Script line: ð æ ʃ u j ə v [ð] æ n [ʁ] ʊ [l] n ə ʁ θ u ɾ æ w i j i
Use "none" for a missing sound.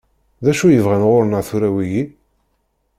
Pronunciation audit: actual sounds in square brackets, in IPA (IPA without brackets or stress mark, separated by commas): ʁ, ʁ, ɾ